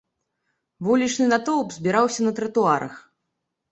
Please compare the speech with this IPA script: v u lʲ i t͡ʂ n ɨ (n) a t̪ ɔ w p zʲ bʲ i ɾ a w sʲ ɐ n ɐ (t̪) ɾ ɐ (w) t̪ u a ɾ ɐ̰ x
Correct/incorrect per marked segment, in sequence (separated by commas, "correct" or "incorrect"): correct, correct, incorrect